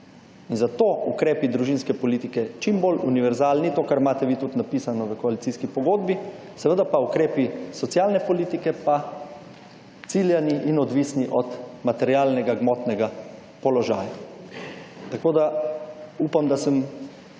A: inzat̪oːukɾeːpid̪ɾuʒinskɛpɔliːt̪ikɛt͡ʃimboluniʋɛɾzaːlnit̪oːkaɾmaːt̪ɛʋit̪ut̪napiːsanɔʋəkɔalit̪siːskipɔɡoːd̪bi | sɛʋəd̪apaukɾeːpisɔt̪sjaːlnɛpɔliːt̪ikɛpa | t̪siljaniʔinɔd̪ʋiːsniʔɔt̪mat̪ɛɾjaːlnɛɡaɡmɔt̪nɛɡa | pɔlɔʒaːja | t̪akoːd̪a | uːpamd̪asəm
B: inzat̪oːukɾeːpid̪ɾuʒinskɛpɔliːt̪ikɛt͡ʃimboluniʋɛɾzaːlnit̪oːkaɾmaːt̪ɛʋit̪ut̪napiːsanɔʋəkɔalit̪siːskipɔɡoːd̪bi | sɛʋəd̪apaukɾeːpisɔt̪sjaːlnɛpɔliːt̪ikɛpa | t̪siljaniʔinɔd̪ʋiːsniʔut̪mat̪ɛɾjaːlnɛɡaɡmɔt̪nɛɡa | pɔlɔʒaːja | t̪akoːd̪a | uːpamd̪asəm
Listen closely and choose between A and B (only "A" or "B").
A